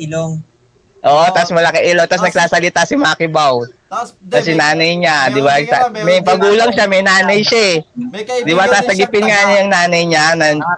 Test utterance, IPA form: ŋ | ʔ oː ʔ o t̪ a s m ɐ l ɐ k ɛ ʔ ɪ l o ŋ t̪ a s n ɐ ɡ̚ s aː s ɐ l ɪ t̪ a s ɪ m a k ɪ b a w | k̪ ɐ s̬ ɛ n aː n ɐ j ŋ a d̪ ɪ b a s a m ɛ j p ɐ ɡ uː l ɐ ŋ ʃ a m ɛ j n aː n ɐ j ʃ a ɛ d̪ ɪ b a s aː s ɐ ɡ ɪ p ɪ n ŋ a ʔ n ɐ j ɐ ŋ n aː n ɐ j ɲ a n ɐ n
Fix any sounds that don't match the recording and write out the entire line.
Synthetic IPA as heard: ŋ | ʔ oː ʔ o t̪ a s m ɐ l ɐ k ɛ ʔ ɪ l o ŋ t̪ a s n ɐ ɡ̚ s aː s ɐ l ɪ t̪ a s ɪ m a k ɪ b a w | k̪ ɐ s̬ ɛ n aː n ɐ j ɲ a d̪ ɪ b a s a m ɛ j p ɐ ɡ uː l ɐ ŋ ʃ a m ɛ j n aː n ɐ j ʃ a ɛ d̪ ɪ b a s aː s ɐ ɡ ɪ p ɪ n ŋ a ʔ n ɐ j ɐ ŋ n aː n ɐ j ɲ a n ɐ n